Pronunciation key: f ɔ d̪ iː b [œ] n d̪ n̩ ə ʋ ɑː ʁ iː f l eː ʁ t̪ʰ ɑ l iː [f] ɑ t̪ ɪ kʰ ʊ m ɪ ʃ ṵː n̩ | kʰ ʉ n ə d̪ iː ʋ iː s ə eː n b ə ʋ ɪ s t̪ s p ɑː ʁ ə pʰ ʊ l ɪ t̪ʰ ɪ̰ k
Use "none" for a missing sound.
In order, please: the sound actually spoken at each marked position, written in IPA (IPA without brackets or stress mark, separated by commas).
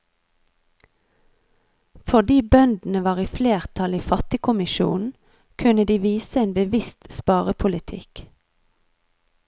œ, f